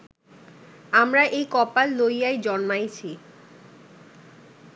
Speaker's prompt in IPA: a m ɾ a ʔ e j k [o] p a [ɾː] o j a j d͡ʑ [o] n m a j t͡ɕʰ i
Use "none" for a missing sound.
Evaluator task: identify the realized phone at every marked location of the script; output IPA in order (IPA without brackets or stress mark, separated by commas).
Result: ɔ, lː, ɔ